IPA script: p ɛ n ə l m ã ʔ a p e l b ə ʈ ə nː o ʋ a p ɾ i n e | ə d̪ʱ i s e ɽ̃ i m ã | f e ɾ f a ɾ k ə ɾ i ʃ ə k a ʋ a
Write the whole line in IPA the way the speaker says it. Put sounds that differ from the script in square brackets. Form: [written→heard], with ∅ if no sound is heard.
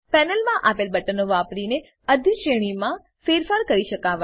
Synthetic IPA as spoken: p ɛ n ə l m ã ʔ a p e l b ə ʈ ə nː o ʋ a p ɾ i n e | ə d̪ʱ i [s→ʃ] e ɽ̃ i m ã | f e ɾ f a ɾ k ə ɾ i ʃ ə k a ʋ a